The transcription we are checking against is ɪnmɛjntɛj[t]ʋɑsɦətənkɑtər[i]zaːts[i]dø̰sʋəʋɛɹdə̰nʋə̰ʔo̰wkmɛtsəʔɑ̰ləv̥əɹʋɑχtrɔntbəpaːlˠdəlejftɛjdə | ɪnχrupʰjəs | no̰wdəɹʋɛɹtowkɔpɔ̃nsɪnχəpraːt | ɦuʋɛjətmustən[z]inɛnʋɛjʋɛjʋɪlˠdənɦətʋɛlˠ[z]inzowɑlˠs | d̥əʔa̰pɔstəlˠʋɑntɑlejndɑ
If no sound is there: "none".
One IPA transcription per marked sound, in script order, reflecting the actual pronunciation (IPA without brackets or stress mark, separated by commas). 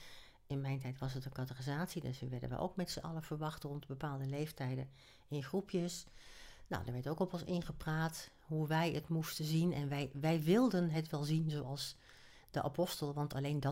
t, i, i, z, z